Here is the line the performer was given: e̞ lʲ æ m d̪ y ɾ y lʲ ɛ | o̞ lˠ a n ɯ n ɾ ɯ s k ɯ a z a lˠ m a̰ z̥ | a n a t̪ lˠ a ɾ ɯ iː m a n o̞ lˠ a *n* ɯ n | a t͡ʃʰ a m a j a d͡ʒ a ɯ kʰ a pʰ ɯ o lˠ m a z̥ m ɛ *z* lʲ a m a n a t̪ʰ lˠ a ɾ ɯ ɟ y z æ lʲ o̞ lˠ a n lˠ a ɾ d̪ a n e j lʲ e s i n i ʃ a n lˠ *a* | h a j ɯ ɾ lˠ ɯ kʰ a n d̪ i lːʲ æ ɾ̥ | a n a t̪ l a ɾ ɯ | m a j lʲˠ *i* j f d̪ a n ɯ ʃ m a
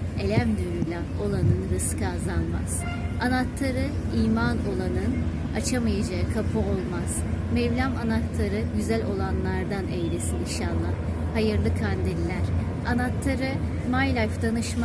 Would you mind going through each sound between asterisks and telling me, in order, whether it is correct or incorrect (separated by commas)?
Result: correct, incorrect, correct, incorrect